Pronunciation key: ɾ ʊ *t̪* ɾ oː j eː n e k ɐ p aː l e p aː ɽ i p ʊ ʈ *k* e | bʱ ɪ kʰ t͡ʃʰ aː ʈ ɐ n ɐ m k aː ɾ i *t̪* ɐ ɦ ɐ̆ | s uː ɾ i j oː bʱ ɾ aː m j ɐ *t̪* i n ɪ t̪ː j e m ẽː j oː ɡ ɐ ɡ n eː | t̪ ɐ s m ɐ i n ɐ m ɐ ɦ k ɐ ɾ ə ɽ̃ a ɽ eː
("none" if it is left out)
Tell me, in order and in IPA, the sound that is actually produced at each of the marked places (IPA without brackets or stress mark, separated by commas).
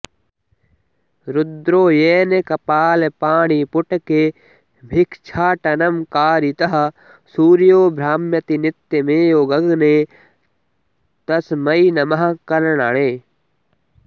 d̪, k, t̪, t̪